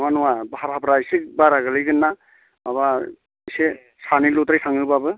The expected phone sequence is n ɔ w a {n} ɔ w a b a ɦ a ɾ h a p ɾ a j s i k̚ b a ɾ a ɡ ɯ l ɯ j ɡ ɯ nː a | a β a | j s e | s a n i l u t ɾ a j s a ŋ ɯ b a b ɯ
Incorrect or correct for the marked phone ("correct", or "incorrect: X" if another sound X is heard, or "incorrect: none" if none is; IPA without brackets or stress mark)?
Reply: correct